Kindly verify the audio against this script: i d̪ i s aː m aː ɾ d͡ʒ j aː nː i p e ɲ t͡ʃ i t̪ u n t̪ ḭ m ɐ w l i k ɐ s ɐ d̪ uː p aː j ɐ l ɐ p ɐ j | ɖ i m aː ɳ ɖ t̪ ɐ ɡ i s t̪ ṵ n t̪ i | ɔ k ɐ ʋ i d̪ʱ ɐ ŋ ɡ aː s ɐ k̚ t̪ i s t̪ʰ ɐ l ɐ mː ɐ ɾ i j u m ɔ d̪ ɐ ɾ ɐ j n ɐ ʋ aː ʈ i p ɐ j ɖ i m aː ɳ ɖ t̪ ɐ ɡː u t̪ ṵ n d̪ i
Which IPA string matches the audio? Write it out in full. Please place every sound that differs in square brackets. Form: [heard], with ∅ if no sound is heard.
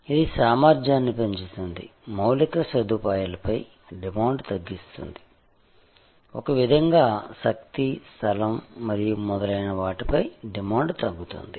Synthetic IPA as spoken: i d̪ i s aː m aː ɾ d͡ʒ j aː nː i p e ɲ t͡ʃ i t̪ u n [d̪] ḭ m ɐ w l i k ɐ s ɐ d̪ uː p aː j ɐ l ɐ p ɐ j | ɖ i m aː ɳ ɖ t̪ ɐ [ɡː] i s t̪ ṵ n [d̪] i | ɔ k ɐ ʋ i d̪ʱ ɐ ŋ ɡ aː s ɐ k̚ t̪ i s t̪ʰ ɐ l ɐ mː ɐ ɾ i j u m ɔ d̪ ɐ [l] ɐ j n ɐ ʋ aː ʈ i p ɐ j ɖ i m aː ɳ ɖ t̪ ɐ ɡː u t̪ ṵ n d̪ i